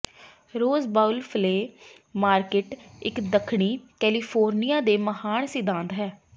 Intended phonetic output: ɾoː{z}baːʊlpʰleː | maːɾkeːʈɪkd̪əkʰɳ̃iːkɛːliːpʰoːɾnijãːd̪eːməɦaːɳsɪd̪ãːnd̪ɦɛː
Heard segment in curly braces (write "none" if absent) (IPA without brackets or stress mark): z